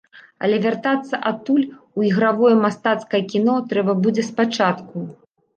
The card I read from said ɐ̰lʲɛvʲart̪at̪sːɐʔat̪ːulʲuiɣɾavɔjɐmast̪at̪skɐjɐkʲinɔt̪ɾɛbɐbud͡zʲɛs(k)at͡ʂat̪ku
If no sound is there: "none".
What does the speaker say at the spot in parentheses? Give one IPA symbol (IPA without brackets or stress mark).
p